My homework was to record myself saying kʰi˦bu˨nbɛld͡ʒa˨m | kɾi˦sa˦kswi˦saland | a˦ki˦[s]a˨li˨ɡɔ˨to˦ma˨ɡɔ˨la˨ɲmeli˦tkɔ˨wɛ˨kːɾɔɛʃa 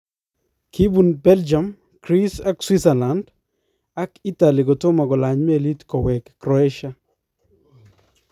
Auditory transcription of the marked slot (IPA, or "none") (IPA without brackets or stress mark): t